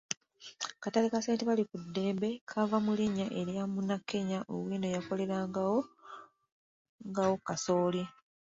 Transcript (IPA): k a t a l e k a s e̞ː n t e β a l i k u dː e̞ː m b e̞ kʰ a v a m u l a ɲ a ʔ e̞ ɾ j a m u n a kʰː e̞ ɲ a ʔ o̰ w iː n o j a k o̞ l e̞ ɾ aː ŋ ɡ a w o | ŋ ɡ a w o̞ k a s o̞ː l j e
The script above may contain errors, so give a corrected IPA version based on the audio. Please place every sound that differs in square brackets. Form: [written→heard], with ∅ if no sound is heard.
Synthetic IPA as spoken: k a t a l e k a s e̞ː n t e β a l i k u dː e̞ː m b e̞ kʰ a v a m u l [a→i] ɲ a ʔ e̞ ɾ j a m u n a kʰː e̞ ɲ a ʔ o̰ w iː n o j a k o̞ l e̞ ɾ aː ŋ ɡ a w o | ŋ ɡ a w o̞ k a s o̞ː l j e